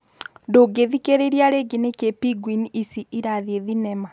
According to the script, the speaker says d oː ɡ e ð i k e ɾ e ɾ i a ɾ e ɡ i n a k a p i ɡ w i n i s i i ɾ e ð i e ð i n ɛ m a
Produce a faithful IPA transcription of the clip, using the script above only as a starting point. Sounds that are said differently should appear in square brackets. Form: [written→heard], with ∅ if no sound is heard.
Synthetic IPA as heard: d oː ɡ e ð i k e ɾ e ɾ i a ɾ e ɡ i n [a→e] k [a→e] p i ɡ w i n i s i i ɾ [e→a] ð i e ð i n ɛ m a

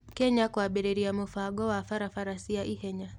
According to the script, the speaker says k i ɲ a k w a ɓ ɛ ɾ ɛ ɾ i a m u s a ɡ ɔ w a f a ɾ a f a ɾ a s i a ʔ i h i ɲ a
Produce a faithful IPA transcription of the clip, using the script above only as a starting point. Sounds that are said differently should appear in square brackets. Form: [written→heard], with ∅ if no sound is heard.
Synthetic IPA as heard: k [i→ɛ] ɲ a k w a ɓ ɛ ɾ ɛ ɾ i a m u [s→f] a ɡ ɔ w a f a ɾ a f a ɾ a s i a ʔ i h [i→ɛ] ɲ a

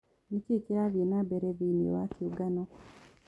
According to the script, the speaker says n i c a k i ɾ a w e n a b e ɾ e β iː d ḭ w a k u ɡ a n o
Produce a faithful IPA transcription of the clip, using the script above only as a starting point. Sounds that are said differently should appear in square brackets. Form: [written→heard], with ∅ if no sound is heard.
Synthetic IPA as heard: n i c [a→i] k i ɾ a [w→β] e n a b e ɾ e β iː [d→n] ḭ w a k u ɡ a n o

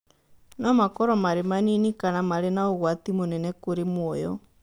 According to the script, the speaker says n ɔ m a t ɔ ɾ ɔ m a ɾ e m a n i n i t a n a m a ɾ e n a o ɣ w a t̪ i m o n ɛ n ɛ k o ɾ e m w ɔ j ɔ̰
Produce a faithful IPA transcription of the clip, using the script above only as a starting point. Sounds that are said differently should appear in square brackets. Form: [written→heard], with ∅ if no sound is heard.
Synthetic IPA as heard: n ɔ m a [t→k] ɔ ɾ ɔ m a ɾ e m a n i n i [t→k] a n a m a ɾ e n a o ɣ w a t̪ i m o n ɛ n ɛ k o ɾ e m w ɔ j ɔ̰

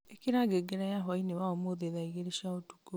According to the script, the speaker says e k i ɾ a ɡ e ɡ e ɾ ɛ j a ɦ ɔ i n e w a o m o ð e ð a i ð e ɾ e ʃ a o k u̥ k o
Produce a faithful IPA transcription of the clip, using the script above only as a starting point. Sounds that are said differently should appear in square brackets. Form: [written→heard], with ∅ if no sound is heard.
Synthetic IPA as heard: e k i ɾ a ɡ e ɡ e ɾ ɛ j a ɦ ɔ i n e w a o m o ð e ð a i [ð→ɣ] e ɾ e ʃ a o [k→t] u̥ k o

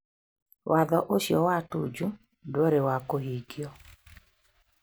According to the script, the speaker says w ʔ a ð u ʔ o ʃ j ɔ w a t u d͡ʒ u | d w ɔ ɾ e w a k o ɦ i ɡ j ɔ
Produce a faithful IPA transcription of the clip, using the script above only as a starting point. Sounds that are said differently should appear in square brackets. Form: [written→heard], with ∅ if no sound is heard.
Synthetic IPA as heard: w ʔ a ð [u→ɔ] ʔ o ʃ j ɔ w a t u d͡ʒ u | d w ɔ ɾ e w a k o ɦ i ɡ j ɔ

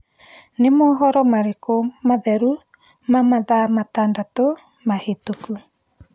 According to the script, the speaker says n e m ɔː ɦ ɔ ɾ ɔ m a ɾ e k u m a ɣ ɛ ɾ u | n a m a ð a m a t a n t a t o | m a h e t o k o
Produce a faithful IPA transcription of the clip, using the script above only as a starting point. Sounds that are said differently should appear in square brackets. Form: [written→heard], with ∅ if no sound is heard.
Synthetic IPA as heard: n e m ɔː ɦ ɔ ɾ ɔ m a ɾ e k [u→o] m a [ɣ→ð] ɛ ɾ u | [n→m] a m a ð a m a t a n [t→d] a t o | m a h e t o k [o→u]

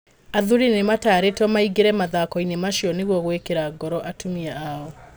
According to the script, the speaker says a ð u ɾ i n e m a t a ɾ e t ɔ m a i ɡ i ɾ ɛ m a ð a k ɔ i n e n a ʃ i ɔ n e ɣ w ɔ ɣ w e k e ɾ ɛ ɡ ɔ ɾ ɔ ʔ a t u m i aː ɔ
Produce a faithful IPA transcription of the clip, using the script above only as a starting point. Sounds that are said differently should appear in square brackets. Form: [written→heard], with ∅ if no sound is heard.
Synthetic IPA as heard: a ð u ɾ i n e m a t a ɾ e t ɔ m a i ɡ [i→e] ɾ ɛ m a ð a k ɔ i n e [n→m] a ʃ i ɔ n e ɣ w ɔ ɣ w e k e ɾ [ɛ→a] ɡ ɔ ɾ ɔ ʔ a t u m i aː ɔ

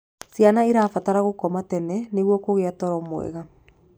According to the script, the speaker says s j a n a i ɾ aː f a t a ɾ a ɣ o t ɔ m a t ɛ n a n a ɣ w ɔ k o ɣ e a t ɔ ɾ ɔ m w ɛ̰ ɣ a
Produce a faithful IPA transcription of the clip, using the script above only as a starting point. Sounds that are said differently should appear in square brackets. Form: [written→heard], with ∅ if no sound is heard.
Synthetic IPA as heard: s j a n a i ɾ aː f a t a ɾ a ɣ o [t→k] ɔ m a t ɛ n [a→ɛ] n [a→e] ɣ w ɔ k o ɣ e a t ɔ ɾ ɔ m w ɛ̰ ɣ a

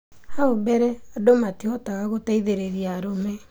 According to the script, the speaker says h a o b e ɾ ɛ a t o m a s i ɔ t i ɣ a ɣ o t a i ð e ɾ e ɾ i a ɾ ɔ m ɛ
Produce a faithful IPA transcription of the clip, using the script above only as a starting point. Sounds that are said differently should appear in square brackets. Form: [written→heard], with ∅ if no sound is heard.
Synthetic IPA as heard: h a o b [e→ɛ] ɾ ɛ a [t→d] o m a [s→t] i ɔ t [i→a] ɣ a ɣ o t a i ð e ɾ e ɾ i a ɾ [ɔ→o] m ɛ

